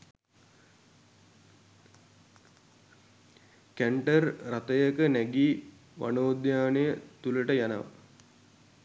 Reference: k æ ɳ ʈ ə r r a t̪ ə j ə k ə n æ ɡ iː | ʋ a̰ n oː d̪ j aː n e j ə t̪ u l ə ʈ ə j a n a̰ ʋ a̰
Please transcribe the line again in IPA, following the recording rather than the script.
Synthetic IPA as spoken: k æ ɳ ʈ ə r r a t̪ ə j ə k ə n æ ɡ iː | ʋ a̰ n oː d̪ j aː n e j ə t̪ u l ə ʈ ə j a n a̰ ʋ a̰